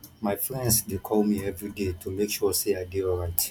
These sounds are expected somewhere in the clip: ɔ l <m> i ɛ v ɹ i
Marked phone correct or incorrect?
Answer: correct